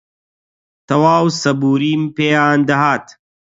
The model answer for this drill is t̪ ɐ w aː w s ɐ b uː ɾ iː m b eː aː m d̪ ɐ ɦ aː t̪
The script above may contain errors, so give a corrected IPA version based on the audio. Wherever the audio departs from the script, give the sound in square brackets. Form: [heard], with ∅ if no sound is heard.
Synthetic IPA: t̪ ɐ w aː w s ɐ b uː ɾ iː m [p] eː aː [n] d̪ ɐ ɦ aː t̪